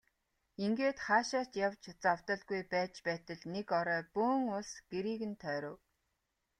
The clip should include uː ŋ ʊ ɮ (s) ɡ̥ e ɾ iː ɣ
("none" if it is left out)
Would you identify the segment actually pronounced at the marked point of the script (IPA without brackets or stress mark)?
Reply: s